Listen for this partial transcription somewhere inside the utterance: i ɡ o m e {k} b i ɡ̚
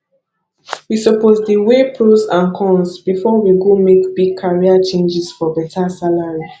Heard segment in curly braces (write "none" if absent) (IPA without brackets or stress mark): k